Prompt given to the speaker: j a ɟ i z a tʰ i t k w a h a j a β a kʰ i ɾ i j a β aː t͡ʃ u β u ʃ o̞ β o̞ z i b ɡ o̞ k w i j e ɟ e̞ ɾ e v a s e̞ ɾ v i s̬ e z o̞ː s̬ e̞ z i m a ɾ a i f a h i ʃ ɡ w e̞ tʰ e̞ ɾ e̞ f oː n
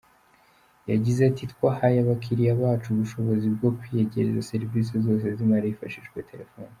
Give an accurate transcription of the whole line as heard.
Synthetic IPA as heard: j a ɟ i z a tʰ i t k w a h a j a β a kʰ i ɾ i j a β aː t͡ʃ u β u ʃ o̞ β o̞ z i b ɡ o̞ k w i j e ɟ e̞ ɾ e z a s e̞ ɾ v i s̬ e z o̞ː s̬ e̞ z i m a ɾ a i f a ʃ i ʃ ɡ w e̞ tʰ e̞ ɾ e̞ f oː n